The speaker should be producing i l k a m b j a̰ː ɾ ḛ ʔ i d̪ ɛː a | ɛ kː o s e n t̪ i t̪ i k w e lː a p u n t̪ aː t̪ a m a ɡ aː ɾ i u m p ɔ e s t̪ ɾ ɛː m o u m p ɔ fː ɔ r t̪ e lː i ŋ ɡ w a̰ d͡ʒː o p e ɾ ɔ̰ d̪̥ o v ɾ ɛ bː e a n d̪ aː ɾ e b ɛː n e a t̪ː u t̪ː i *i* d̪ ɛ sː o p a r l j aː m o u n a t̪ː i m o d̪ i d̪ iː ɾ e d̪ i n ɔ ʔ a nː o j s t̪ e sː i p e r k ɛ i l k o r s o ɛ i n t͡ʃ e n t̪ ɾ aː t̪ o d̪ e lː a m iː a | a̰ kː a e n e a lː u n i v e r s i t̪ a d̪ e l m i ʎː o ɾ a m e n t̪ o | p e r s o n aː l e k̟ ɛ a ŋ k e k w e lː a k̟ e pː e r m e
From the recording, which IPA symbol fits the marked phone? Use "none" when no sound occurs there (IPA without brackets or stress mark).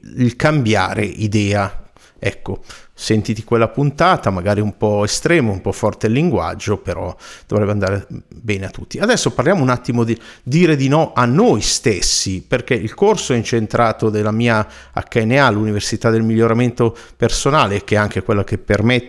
a